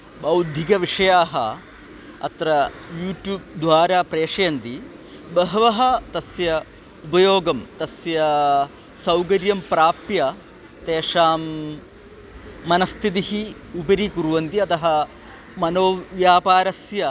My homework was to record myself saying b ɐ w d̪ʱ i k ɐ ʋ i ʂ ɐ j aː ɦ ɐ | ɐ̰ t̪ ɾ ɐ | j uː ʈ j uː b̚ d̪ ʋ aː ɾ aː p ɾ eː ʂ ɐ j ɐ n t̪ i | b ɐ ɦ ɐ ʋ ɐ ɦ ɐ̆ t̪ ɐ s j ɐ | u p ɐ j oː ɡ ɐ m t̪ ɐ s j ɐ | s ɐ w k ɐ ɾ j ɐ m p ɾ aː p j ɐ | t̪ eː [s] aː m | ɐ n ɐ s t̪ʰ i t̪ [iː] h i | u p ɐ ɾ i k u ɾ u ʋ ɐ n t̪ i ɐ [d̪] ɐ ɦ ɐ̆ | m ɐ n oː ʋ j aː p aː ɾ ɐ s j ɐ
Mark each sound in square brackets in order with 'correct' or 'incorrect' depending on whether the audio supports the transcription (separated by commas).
incorrect, incorrect, incorrect